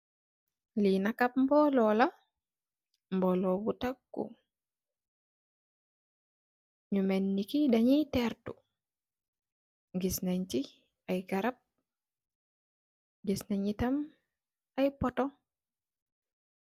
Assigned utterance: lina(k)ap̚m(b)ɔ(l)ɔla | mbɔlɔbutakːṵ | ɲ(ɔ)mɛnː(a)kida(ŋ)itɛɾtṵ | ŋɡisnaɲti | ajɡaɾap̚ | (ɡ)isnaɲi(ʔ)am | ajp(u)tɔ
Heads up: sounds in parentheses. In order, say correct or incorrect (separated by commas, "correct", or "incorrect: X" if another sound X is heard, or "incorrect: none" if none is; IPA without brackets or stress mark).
correct, correct, correct, incorrect: u, incorrect: i, incorrect: ɲ, correct, incorrect: t, incorrect: ɔ